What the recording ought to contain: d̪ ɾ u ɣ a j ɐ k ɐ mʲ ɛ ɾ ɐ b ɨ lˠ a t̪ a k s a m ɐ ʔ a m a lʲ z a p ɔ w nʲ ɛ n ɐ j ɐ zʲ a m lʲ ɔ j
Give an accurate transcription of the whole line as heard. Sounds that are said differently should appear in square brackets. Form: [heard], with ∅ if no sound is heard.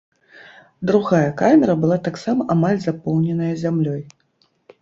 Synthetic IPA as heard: d̪ ɾ u ɣ a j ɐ k [a] mʲ ɛ ɾ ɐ b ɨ lˠ a t̪ a k s a m ɐ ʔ a m a lʲ z a p ɔ w nʲ ɛ n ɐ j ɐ zʲ a m lʲ ɔ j